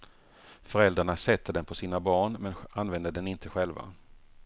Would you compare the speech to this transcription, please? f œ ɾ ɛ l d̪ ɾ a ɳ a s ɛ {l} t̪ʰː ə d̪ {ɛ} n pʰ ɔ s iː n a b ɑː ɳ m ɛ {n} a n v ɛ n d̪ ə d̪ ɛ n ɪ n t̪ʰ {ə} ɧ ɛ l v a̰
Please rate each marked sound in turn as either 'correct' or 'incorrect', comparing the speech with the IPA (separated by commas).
incorrect, correct, correct, correct